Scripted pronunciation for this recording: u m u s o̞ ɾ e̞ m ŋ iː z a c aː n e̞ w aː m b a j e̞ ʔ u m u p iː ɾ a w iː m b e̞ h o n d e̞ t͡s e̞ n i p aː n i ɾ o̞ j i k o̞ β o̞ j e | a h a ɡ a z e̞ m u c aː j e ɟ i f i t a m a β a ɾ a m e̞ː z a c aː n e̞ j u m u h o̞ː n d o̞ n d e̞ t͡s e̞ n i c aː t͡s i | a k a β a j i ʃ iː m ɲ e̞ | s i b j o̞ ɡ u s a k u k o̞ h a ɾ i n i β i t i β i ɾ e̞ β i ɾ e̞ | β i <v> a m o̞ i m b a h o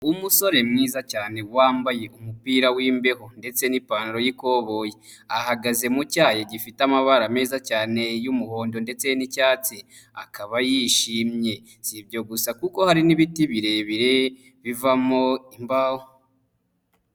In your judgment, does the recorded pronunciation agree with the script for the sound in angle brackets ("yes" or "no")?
yes